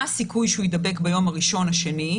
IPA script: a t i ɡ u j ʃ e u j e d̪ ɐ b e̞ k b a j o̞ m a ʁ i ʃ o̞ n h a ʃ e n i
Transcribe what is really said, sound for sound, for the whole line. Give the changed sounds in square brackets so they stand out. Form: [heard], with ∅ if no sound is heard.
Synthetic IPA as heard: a [s] i [k] u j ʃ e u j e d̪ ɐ b e̞ k b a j o̞ m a ʁ i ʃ o̞ n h a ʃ e n i